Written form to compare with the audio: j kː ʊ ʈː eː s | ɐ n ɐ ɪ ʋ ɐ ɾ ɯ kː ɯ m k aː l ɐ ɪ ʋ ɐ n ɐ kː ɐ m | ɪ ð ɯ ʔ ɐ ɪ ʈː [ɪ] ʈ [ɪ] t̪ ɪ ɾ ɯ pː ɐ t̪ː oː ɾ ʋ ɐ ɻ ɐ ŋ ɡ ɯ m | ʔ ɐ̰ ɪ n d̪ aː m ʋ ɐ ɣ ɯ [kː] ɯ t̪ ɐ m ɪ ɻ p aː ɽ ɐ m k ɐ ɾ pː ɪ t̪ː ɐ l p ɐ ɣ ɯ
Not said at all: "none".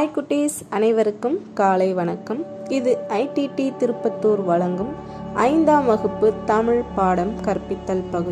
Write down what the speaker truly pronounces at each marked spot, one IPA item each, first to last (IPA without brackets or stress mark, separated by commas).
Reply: i, i, pː